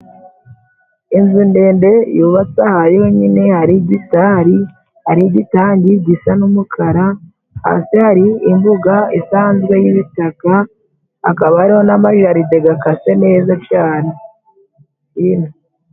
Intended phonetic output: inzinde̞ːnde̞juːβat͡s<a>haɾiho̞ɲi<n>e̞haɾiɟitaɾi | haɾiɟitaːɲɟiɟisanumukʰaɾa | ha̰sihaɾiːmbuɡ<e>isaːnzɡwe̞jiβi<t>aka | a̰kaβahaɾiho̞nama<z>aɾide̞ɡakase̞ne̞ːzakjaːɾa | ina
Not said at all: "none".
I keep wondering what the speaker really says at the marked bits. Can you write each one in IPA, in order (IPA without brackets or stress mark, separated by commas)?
a, n, a, t, ʒ